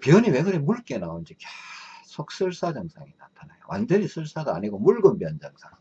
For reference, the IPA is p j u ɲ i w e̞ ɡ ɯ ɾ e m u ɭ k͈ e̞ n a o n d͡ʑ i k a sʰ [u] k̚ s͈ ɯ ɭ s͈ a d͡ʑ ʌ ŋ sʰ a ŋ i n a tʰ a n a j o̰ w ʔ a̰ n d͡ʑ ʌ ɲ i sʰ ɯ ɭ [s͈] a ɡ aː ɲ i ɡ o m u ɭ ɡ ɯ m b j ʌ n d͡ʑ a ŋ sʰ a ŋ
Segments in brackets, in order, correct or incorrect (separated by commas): incorrect, correct